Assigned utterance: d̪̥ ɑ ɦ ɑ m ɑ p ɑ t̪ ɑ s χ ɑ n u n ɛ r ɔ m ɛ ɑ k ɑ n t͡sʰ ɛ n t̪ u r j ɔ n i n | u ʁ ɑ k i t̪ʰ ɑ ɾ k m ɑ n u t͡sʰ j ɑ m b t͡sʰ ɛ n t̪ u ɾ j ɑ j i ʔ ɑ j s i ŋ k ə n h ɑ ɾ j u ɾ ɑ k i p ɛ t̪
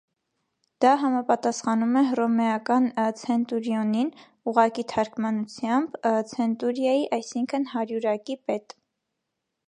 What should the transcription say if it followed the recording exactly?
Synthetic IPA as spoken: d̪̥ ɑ ɦ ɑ m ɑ p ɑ t̪ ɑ s χ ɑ n u m ɛ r ɔ m ɛ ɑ k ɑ n t͡sʰ ɛ n t̪ u ɾ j ɔ n i n | u ʁ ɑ k i t̪ʰ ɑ ɾ k m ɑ n u t͡sʰ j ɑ m b t͡sʰ ɛ n t̪ u ɾ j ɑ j i ʔ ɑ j s i ŋ kʰ ə n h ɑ ɾ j u ɾ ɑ k i p ɛ t̪

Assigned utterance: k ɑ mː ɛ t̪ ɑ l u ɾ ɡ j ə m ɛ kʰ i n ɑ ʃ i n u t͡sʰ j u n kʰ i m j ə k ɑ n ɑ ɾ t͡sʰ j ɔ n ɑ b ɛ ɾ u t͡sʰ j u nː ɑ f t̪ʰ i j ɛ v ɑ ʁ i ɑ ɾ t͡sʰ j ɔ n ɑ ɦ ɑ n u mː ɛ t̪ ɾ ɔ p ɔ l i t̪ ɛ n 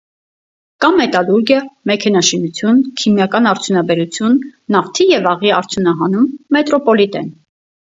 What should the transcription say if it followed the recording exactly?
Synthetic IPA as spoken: k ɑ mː ɛ t̪ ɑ l u ɾ ɡ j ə m ɛ kʰ ɛ n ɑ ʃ i n u t͡sʰ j u n kʰ i m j ɑ k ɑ n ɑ ɾ t͡sʰ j u n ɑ b ɛ ɾ u t͡sʰ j u nː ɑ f t̪ʰ i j ɛ v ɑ ʁ i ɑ ɾ t͡sʰ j u n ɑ ɦ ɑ n u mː ɛ t̪ ɾ ɔ p ɔ l i t̪ ɛ n

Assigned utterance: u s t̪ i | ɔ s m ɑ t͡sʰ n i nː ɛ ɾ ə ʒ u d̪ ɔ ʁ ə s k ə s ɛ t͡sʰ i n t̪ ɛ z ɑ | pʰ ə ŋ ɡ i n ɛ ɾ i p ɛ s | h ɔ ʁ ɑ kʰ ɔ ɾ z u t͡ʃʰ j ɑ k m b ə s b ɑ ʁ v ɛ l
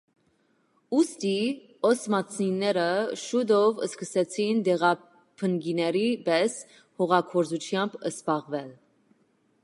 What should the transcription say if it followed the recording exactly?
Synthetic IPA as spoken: u s t̪ i | ɔ s m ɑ t͡sʰ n i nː ɛ ɾ ə ʃ u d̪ ɔ v ə s k ə s ɛ t͡sʰ i n d̪ ɛ ʁ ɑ | pʰ ə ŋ ɡ i n ɛ ɾ i b ɛ s | h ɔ ʁ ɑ kʰ ɔ ɾ z u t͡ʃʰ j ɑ m b ə s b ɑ ʁ v ɛ l

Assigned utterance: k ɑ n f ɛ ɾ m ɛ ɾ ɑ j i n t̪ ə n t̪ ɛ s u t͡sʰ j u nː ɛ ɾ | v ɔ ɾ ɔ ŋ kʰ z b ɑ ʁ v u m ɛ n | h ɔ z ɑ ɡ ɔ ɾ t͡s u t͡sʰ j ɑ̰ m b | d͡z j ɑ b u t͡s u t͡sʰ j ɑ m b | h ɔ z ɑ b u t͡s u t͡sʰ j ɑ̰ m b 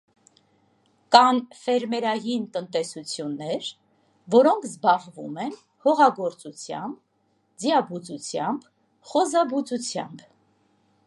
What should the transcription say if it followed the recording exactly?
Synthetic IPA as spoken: k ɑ n f ɛ ɾ m ɛ ɾ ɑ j i n t̪ ə n t̪ ɛ s u t͡sʰ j u nː ɛ ɾ | v ɔ ɾ ɔ ŋ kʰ z b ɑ ʁ v u m ɛ n | h ɔ ʁ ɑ ɡ ɔ ɾ t͡s u t͡sʰ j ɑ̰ m b | d͡z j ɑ b u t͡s u t͡sʰ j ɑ m b | χ ɔ z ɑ b u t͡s u t͡sʰ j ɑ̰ m b

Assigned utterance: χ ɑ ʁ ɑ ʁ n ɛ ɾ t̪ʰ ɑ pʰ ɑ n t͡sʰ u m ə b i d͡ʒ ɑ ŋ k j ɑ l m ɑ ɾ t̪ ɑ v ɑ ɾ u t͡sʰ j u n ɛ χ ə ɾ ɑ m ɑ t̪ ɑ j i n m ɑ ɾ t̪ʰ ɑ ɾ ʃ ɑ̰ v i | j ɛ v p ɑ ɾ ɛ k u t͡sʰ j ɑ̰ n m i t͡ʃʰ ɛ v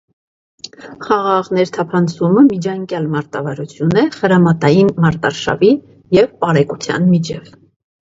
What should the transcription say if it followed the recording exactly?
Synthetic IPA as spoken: χ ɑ ʁ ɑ ʁ n ɛ ɾ t̪ʰ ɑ pʰ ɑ n t͡sʰ u m ə m i d͡ʒ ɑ ŋ k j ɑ l m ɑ ɾ t̪ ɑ v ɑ ɾ u t͡sʰ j u n ɛ χ ə ɾ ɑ m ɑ t̪ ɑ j i n m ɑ ɾ t̪ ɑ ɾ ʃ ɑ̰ v i | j ɛ v p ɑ ɾ ɛ k u t͡sʰ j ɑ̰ n m i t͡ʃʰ ɛ v

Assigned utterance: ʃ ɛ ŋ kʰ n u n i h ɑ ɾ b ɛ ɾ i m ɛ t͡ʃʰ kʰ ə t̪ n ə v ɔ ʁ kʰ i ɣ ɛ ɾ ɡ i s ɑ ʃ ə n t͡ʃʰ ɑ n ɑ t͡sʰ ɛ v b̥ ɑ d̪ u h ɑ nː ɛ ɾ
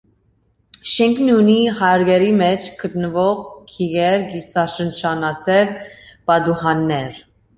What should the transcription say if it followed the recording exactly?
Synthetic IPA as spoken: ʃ ɛ ŋ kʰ n u n i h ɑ ɾ ɡ ɛ ɾ i m ɛ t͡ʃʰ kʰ ə t̪ n ə v ɔ ʁ kʰ i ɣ ɛ ɾ ɡ i s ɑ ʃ ə n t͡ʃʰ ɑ n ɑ t͡sʰ ɛ v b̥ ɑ d̪ u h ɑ nː ɛ ɾ

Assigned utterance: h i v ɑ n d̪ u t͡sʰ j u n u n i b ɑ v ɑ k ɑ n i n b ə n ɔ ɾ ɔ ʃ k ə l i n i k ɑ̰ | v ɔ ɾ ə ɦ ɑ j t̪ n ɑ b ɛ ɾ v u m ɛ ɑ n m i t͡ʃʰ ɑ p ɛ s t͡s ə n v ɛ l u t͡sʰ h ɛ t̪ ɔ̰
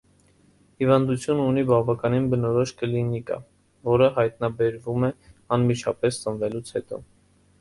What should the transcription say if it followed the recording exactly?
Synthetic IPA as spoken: h i v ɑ n d̪ u t͡sʰ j u n u n i b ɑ v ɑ k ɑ n i n b ə n ɔ ɾ ɔ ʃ k ə l i n i k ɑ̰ | v ɔ ɾ ə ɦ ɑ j t̪ n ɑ b ɛ ɾ v u m ɛ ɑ n m i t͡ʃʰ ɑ p ɛ s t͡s ə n v ɛ l u t͡sʰ h ɛ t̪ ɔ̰

